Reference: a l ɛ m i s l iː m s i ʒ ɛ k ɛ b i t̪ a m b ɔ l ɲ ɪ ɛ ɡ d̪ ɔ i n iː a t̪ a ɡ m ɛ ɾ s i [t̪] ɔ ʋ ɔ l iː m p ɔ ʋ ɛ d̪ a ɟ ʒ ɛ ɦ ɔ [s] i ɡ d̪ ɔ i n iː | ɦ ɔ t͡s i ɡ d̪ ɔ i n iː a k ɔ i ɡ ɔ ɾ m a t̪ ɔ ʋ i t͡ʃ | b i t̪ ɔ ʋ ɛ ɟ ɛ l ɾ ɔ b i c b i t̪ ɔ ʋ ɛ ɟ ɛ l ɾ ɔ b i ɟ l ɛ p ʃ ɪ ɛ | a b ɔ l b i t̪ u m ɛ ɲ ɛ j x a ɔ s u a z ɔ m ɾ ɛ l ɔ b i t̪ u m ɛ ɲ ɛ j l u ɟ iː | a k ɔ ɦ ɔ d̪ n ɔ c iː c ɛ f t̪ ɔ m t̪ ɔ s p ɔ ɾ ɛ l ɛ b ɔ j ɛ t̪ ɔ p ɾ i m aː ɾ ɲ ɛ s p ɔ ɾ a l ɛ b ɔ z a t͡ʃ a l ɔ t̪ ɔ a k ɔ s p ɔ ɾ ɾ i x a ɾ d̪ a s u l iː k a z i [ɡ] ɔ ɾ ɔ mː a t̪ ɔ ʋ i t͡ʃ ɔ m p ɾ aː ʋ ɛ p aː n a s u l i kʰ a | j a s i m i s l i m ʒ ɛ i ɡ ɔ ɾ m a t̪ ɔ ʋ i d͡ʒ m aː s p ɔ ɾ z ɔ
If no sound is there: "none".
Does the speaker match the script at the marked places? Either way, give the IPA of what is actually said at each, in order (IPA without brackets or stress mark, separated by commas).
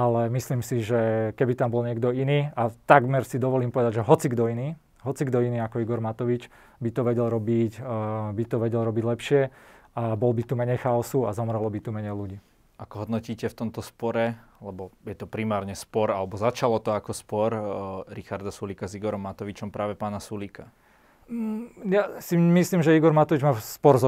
d̪, t͡s, ɡ